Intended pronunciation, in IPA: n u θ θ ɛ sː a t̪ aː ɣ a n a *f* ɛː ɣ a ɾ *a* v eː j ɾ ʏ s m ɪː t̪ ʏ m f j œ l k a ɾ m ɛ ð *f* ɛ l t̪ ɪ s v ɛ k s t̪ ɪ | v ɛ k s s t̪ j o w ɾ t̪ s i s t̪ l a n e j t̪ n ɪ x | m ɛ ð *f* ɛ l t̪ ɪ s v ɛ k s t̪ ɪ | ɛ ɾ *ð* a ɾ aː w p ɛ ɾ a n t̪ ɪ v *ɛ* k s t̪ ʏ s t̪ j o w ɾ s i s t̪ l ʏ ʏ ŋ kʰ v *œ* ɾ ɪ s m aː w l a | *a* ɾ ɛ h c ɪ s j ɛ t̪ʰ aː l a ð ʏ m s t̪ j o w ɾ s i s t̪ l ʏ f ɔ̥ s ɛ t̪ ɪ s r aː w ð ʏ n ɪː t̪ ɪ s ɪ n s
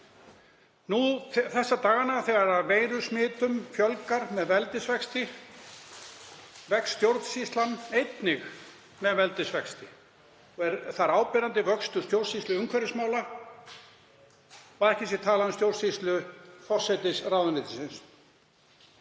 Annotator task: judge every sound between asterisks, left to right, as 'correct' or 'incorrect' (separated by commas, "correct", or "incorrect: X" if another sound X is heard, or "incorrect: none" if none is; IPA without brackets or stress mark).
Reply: incorrect: θ, correct, incorrect: v, incorrect: v, incorrect: θ, incorrect: œ, incorrect: ɛ, correct